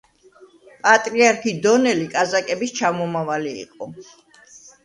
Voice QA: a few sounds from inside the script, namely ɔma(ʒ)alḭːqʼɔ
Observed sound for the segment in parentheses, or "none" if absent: v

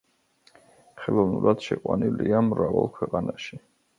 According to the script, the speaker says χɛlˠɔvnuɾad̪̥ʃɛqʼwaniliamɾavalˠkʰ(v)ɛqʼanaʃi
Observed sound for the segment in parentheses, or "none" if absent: w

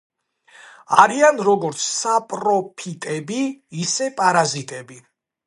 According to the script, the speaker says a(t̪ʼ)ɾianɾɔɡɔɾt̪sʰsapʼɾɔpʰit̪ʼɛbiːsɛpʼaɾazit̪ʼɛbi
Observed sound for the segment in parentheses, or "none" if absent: none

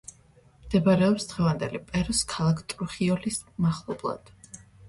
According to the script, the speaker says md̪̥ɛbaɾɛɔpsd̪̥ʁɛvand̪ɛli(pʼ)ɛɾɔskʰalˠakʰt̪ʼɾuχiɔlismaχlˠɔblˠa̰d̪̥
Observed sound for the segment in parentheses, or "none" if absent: pʼ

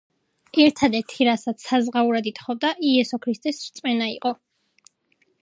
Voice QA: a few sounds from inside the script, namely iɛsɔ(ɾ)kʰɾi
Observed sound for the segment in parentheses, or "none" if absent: none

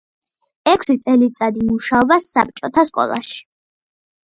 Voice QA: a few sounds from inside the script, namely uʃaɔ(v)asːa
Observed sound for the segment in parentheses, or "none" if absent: b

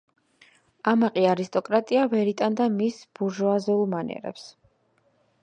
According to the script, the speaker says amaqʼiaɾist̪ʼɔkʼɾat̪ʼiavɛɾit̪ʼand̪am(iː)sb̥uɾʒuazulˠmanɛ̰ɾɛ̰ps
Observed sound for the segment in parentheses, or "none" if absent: i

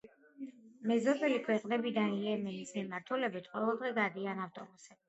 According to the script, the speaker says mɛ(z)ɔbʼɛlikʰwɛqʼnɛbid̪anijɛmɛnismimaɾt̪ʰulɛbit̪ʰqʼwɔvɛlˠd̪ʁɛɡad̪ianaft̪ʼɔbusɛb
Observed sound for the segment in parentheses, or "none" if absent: z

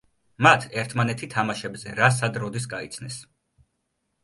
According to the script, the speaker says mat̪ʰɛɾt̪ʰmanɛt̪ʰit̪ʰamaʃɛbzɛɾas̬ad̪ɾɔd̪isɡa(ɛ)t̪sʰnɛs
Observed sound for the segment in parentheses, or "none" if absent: i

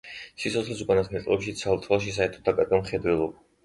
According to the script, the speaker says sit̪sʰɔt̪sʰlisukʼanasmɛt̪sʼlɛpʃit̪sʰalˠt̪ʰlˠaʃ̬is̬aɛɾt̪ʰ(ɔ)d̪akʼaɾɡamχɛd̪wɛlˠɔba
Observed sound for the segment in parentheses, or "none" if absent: ɔ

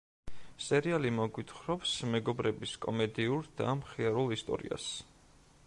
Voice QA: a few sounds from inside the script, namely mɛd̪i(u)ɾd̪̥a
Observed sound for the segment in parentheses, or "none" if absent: u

